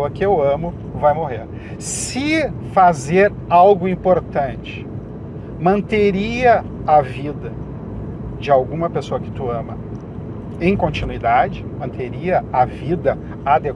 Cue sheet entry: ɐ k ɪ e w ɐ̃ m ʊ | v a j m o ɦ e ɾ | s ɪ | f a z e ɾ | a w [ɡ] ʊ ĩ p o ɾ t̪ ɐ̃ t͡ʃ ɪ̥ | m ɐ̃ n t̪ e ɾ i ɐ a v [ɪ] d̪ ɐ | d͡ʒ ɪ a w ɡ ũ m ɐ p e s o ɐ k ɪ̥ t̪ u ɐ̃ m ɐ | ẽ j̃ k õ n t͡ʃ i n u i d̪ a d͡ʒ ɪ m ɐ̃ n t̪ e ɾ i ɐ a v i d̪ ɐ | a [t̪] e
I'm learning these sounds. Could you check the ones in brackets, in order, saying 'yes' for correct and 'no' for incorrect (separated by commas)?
yes, no, no